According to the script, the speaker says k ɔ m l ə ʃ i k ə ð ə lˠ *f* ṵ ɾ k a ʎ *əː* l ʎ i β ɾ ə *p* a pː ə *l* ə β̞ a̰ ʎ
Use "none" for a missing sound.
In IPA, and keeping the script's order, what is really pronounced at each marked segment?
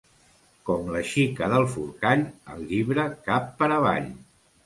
f, ə, k, ɾ

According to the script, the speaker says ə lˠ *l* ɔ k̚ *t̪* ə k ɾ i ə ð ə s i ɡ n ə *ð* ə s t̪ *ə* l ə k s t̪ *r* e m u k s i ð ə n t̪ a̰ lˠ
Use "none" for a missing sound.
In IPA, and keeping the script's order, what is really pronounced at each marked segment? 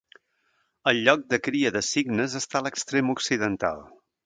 ʎ, d̪, z, a, ɾ

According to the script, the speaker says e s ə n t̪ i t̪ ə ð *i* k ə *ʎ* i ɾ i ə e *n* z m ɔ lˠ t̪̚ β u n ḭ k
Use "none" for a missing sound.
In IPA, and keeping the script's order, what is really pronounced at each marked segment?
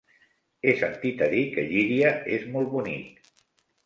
i, ʎ, none

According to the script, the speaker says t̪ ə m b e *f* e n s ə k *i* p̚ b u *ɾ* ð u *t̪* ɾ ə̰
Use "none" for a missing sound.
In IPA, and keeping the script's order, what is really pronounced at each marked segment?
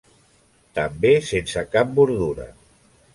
s, a, ɾ, none

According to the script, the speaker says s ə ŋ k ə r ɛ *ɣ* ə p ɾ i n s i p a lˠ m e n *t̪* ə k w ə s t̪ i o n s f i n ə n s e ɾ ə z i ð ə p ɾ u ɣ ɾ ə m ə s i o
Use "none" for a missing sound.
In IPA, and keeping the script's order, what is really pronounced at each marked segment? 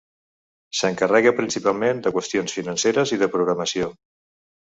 ɣ, d̪

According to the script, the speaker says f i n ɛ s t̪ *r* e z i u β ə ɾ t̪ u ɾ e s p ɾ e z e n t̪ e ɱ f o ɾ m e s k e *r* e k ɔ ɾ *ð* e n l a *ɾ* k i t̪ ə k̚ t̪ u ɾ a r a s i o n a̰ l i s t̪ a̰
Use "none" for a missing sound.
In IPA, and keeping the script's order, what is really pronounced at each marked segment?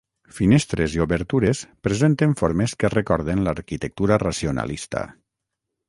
ɾ, r, ð, ɾ

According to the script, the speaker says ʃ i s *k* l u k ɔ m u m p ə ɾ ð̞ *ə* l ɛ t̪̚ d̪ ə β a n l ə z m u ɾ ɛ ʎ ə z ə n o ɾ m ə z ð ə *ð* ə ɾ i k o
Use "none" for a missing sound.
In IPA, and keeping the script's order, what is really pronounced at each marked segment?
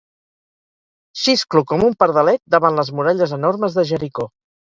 k, ə, ʒ

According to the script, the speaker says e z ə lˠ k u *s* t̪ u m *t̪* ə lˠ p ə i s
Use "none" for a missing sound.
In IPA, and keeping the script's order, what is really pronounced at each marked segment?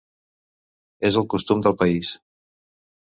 s, d̪

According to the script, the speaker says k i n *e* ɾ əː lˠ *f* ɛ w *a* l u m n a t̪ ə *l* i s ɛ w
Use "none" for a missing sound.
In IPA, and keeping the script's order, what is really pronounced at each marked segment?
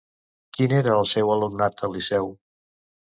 e, s, ə, l

